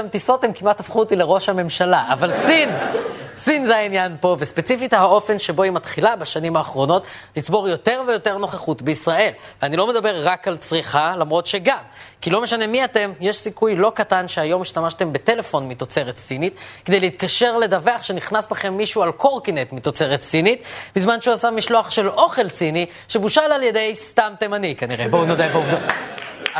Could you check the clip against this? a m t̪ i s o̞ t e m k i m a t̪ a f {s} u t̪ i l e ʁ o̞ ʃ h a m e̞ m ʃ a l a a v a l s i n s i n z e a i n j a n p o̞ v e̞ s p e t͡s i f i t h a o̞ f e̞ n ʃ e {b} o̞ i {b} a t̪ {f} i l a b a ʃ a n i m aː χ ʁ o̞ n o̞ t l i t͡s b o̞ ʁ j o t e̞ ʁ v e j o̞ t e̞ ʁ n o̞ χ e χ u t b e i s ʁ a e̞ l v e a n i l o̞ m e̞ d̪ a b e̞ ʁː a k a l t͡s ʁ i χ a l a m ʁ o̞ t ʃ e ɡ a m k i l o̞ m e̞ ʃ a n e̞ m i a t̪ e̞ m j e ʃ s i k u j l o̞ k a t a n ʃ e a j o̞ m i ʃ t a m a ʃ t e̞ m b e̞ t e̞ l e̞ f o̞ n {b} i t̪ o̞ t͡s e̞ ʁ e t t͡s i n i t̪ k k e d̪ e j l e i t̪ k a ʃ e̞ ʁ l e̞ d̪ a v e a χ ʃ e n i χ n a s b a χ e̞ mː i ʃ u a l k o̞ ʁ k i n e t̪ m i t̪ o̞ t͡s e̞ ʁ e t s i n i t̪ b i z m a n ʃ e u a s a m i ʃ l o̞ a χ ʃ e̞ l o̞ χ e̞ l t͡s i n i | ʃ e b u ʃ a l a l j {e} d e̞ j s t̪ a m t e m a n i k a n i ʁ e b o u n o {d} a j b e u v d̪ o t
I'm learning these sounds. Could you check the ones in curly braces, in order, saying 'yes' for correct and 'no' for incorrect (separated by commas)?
no, yes, no, no, no, yes, yes